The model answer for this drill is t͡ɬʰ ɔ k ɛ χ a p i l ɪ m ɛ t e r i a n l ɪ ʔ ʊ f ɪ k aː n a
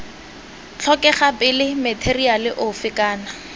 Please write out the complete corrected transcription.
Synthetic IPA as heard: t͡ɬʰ ɔ k ɛ χ a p ɪ l ɪ m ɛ tʰ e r i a l ɪ ʔ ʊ f ɪ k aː n a